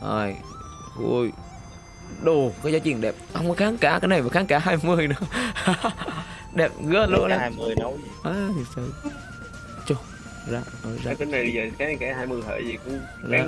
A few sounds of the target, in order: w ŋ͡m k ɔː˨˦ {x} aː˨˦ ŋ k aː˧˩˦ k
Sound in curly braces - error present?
no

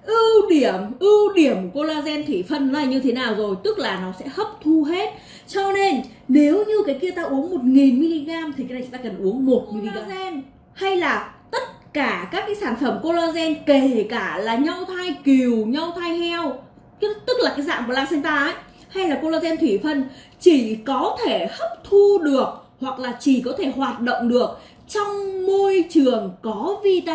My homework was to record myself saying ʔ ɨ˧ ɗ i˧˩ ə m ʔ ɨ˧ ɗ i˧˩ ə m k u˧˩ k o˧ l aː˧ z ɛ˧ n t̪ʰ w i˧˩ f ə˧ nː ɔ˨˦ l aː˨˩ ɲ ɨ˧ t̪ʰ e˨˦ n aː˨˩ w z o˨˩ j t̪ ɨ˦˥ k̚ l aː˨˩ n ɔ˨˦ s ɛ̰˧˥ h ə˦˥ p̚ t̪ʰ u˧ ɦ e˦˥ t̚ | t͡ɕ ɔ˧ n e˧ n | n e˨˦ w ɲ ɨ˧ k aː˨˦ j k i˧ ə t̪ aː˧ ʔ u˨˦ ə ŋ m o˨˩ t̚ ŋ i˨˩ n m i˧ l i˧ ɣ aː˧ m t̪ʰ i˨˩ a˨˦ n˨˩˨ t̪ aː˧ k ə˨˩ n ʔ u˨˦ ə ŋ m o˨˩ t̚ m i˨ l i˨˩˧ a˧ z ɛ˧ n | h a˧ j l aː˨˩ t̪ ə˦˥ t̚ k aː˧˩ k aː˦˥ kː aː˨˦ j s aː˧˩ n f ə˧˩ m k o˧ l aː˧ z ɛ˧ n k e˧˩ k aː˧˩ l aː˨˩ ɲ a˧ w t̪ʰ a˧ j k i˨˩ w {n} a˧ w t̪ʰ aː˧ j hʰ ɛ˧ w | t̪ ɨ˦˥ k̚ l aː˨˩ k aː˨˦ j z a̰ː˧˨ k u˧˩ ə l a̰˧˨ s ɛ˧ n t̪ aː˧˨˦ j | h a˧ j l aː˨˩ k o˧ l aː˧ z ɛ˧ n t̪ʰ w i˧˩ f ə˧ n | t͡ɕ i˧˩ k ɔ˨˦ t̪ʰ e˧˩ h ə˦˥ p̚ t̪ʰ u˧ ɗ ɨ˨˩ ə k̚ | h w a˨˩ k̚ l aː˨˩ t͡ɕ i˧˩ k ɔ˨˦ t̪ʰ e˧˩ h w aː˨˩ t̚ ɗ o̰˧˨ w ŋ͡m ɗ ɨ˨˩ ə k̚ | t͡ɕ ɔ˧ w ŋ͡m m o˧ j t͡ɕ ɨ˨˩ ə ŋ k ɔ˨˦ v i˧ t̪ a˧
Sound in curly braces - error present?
yes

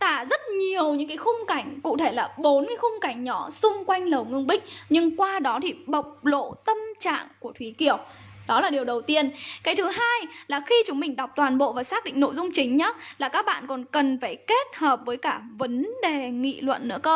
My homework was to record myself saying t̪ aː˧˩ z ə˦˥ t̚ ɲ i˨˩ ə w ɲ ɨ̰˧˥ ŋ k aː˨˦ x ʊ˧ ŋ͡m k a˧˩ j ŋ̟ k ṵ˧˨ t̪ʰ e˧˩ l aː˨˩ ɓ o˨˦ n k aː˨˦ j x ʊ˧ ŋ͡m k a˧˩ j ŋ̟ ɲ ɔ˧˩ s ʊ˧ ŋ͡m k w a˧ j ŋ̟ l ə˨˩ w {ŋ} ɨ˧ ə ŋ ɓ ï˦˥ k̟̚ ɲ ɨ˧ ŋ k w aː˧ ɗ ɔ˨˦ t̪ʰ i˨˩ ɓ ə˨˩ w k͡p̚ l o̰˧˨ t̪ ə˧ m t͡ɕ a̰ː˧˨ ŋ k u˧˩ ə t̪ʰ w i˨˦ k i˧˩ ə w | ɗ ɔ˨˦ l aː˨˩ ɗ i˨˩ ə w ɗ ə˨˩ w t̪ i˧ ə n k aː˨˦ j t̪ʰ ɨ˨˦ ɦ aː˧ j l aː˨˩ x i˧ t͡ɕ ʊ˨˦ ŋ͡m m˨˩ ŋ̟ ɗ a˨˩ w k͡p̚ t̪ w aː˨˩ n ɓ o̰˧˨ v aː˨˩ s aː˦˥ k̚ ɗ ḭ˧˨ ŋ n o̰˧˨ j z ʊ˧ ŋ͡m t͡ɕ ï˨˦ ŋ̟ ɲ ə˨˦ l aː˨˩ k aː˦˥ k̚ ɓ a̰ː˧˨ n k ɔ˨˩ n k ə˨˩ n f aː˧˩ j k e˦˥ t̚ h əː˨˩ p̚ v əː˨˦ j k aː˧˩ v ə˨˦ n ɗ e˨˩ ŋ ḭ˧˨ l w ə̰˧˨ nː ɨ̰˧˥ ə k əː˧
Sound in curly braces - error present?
no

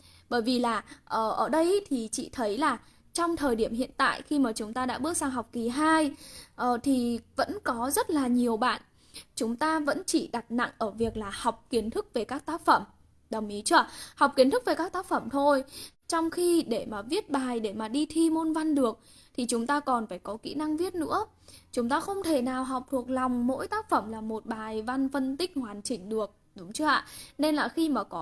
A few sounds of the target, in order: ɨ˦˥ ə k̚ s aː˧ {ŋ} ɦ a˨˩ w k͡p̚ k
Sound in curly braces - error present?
no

